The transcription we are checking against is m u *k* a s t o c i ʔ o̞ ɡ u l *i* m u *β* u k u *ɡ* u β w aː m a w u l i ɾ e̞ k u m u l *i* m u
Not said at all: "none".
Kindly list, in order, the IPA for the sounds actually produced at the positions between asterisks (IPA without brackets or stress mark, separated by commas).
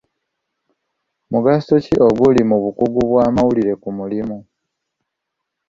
ɡ, i, β, ɡ, i